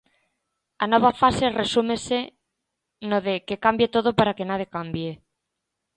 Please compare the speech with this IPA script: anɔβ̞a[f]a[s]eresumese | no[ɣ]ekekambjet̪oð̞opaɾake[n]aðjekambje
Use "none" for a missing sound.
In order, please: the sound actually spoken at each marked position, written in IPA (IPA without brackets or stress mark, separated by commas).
f, s, ð, n